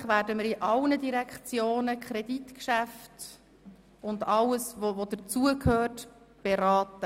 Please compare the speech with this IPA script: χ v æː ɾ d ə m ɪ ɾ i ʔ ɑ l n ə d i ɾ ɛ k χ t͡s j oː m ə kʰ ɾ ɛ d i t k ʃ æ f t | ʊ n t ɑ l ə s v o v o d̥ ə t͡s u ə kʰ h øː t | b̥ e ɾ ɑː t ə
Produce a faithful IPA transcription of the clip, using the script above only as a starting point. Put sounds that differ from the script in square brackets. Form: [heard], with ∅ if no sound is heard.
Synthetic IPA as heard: χ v æː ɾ d ə m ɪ ɾ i ʔ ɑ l n ə d i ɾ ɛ k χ t͡s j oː [n] ə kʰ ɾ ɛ d i t k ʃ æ f t | ʊ n [d] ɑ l ə s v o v o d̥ ə t͡s u ə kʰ h øː t | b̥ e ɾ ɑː t ə